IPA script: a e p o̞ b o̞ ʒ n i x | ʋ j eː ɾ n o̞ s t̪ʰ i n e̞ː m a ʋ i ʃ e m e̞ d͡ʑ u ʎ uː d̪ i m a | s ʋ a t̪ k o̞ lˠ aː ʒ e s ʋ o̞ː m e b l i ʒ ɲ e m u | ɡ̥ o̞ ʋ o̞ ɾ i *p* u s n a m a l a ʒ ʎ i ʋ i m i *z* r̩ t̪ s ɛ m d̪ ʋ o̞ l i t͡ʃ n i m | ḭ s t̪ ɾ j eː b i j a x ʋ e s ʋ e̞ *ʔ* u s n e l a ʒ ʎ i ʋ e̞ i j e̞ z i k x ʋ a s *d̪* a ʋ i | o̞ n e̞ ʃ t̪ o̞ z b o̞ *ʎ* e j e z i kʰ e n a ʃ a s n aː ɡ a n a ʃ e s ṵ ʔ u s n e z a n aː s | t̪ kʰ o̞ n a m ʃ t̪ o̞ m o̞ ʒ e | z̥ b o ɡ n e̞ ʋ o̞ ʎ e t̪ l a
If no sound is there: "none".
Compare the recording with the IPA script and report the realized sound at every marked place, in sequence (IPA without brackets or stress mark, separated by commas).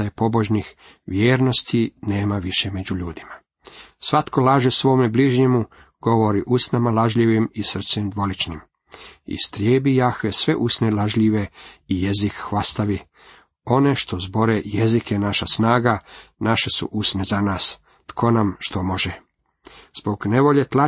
ʔ, s, ʔ, t̪, ɾ